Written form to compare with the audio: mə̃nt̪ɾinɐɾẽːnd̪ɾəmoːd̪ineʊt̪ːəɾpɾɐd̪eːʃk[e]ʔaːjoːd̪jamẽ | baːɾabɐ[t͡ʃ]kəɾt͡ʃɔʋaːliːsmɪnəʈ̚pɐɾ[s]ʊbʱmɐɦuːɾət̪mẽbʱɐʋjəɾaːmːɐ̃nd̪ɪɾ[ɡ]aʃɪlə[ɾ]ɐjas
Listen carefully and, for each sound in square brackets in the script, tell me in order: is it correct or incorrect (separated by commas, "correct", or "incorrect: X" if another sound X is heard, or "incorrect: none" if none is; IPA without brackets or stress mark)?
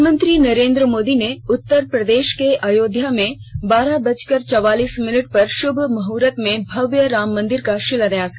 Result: correct, correct, incorrect: ʃ, incorrect: k, correct